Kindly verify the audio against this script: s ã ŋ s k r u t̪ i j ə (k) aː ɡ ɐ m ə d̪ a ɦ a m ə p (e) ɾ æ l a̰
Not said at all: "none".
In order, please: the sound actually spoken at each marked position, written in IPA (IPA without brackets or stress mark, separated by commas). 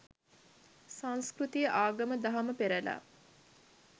ʔ, e